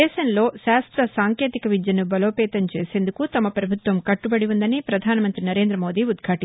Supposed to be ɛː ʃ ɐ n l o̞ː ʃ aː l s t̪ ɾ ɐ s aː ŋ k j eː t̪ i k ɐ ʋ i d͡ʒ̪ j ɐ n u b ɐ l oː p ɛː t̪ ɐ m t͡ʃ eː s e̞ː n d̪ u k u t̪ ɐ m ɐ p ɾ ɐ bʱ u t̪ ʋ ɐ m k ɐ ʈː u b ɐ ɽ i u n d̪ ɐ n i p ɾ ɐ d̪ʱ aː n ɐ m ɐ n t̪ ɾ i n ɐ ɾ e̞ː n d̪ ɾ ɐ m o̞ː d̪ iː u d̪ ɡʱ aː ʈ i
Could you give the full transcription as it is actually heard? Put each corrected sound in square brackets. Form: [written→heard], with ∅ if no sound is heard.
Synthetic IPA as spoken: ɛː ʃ ɐ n l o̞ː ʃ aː [l→∅] s t̪ ɾ ɐ s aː ŋ k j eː t̪ i k ɐ ʋ i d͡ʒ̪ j ɐ n u b ɐ l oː p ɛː t̪ ɐ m t͡ʃ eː s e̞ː n d̪ u k u t̪ ɐ m ɐ p ɾ ɐ bʱ u t̪ ʋ ɐ m k ɐ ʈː u b ɐ ɽ i u n d̪ ɐ n i p ɾ ɐ d̪ʱ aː n ɐ m ɐ n t̪ ɾ i n ɐ ɾ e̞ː n d̪ ɾ ɐ m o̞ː d̪ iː u d̪ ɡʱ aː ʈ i